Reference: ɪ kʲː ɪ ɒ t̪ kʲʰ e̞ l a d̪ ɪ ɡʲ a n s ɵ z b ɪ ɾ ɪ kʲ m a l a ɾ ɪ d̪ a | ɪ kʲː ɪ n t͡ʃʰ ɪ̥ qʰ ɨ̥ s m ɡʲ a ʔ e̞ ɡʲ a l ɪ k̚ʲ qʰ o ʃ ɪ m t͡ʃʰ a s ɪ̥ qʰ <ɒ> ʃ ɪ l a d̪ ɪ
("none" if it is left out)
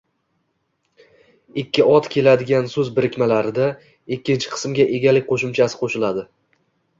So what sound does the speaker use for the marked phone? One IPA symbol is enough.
o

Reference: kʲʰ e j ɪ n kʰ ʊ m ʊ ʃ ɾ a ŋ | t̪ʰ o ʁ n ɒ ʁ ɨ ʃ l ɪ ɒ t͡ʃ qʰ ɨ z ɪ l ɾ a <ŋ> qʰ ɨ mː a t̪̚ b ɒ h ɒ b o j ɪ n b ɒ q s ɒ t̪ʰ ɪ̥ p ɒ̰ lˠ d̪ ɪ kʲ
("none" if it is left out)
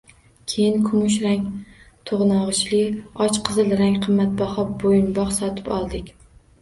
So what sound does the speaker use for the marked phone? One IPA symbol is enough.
ŋ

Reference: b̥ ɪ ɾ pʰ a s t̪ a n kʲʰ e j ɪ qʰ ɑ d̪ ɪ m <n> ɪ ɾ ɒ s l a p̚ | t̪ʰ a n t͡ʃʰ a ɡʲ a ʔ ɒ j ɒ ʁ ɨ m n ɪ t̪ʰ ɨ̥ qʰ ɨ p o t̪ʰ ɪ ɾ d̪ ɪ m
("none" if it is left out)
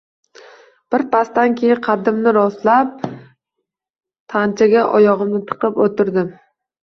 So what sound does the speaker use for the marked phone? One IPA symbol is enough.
n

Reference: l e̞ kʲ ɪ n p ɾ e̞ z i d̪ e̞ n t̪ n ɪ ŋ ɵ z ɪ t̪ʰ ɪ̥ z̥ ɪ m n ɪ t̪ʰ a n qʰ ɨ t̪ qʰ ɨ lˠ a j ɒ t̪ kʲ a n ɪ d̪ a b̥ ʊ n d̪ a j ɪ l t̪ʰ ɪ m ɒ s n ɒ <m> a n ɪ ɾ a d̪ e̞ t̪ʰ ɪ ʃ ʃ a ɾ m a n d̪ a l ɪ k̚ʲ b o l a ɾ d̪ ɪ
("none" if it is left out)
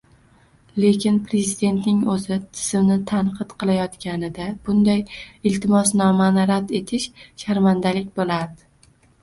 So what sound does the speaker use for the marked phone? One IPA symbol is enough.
m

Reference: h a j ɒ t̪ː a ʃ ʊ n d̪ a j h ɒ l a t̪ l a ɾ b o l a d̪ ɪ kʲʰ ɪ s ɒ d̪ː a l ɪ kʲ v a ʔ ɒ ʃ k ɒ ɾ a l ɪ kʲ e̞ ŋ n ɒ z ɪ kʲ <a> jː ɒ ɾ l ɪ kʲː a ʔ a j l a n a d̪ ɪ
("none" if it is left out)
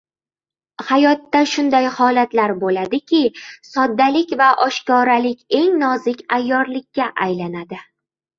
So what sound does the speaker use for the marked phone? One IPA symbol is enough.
a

